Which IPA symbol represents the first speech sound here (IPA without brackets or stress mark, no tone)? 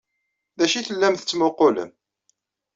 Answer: ð